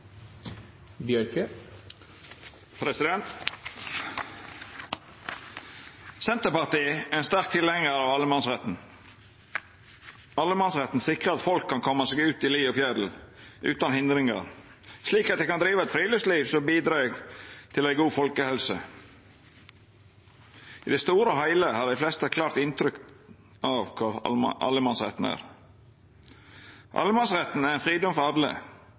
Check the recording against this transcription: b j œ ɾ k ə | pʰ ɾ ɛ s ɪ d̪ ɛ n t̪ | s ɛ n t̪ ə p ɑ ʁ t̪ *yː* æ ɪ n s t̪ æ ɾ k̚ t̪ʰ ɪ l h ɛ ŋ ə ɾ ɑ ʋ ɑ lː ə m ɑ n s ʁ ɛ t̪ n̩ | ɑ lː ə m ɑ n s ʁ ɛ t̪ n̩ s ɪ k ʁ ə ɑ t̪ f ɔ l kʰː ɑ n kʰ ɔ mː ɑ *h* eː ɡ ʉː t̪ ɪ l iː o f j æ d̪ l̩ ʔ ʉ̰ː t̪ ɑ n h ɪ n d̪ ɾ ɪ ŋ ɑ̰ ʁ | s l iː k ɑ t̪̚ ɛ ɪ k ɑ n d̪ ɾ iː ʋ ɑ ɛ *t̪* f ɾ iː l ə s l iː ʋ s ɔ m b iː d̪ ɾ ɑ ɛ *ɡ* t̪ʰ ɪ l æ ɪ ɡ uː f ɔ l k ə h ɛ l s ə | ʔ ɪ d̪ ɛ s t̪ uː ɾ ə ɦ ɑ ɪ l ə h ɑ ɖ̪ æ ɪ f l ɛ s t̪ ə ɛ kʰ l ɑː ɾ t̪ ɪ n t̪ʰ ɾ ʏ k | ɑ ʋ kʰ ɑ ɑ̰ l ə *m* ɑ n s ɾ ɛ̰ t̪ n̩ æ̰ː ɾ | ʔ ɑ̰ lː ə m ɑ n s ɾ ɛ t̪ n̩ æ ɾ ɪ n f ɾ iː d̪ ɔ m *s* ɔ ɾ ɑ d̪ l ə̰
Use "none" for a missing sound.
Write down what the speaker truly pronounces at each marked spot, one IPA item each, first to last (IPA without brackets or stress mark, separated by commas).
iː, s, t̪, ɡ, m, f